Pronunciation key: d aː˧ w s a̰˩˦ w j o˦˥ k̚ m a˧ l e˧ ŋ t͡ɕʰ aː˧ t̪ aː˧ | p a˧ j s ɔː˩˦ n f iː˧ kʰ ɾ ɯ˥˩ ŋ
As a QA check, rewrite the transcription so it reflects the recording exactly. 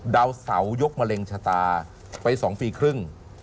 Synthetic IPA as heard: d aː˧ w s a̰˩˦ w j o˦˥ k̚ m a˧ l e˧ ŋ t͡ɕʰ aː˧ t̪ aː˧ | p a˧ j s ɔː˩˦ ŋ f iː˧ kʰ ɾ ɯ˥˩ ŋ